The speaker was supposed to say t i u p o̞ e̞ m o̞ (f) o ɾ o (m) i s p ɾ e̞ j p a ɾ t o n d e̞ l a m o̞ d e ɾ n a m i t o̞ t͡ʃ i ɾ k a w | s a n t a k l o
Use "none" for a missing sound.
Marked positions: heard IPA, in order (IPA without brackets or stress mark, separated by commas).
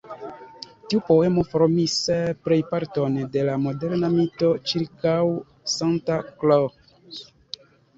f, m